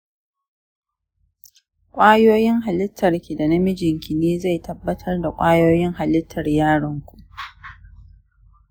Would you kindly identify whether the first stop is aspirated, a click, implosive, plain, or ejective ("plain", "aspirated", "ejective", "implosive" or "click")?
ejective